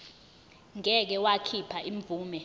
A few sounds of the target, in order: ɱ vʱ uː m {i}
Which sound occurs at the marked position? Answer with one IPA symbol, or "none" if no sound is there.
ɛ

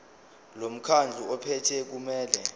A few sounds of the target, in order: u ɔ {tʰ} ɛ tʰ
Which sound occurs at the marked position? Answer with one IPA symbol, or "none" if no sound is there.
pʰ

